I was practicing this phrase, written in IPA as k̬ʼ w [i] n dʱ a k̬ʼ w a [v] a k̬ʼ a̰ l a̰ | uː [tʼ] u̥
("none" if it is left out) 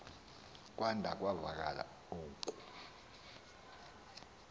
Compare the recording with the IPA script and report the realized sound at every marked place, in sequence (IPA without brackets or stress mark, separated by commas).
a, v, kʼ